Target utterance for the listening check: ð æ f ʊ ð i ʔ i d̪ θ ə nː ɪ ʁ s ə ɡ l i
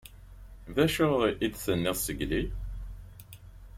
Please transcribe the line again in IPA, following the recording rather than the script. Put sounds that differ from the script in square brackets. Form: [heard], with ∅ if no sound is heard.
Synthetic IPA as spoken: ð æ [ʃ] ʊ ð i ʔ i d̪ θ ə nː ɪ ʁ s ə ɡ l i